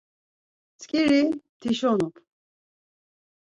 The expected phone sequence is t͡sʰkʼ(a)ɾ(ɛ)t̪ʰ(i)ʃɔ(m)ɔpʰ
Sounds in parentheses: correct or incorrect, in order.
incorrect: i, incorrect: i, correct, incorrect: n

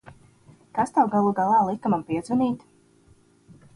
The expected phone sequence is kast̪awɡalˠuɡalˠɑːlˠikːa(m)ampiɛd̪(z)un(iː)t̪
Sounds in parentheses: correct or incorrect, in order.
correct, correct, correct

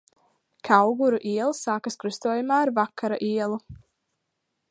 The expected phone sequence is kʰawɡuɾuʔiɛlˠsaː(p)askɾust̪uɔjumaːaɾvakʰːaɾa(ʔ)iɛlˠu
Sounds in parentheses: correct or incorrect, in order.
incorrect: k, correct

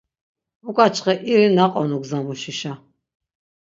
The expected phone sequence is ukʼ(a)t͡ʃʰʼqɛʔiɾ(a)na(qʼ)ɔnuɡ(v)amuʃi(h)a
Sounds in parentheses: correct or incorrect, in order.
correct, incorrect: i, correct, incorrect: z, incorrect: ʃ

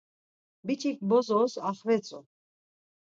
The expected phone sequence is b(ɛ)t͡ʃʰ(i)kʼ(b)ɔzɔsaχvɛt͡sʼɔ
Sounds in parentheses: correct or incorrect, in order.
incorrect: i, correct, correct

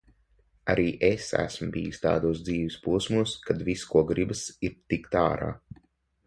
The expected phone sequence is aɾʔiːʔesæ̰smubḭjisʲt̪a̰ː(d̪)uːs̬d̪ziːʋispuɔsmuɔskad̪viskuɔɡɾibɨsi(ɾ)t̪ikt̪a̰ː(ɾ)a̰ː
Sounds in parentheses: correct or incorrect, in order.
correct, correct, correct

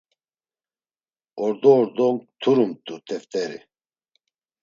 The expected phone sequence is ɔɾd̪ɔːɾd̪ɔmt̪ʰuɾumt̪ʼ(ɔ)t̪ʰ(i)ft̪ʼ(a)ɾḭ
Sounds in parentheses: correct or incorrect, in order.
incorrect: u, incorrect: ɛ, incorrect: ɛ

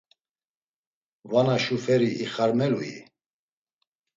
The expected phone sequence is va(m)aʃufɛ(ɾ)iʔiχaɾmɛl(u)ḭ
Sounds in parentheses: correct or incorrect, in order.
incorrect: n, correct, correct

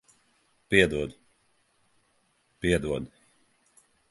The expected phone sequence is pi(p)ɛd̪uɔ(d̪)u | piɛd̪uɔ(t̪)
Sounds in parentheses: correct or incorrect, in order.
incorrect: none, correct, incorrect: d̪

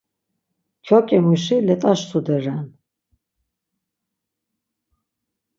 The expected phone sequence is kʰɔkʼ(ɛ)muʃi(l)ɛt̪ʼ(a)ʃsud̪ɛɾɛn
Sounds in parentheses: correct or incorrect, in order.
correct, correct, correct

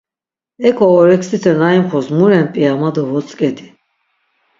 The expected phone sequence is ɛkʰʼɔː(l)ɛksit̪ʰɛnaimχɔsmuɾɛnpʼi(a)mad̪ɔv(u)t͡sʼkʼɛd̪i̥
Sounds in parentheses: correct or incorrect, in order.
incorrect: ɾ, correct, incorrect: ɔ

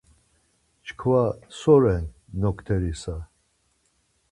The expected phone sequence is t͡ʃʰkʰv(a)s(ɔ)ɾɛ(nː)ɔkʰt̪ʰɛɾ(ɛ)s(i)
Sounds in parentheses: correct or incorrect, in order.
correct, correct, correct, incorrect: i, incorrect: a

